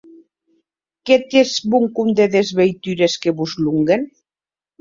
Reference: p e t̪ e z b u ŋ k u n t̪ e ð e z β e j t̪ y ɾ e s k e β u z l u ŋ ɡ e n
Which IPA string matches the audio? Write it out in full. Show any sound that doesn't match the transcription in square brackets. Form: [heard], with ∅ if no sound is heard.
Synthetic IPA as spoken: [k] e t̪ e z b u ŋ k u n [d̪] e ð e z β e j t̪ y ɾ e s k e β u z l u ŋ ɡ e n